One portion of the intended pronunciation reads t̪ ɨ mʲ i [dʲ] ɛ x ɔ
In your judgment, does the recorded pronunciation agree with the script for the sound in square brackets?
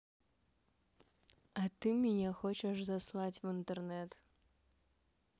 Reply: no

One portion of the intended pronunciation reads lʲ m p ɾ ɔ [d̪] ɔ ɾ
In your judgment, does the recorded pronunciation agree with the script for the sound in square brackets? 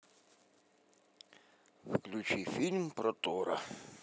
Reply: no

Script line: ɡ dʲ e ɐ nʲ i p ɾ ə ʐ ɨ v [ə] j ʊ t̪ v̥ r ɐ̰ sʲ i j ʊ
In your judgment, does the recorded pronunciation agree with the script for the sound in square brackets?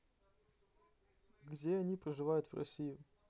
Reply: no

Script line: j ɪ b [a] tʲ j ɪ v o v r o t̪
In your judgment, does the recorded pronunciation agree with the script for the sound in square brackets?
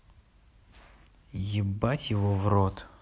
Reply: yes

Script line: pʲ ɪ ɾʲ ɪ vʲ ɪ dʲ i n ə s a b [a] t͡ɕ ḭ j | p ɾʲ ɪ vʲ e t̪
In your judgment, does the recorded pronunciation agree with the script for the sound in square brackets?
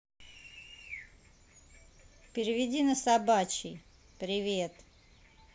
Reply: yes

